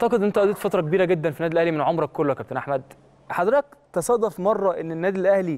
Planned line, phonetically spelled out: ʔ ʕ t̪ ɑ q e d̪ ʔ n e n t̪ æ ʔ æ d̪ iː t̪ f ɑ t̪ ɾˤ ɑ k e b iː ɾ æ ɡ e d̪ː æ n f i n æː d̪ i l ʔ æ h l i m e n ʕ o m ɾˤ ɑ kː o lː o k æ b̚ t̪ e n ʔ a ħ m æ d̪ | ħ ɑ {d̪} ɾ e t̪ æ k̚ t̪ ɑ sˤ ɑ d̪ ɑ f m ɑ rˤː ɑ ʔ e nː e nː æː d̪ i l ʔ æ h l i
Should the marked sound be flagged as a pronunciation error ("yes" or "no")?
no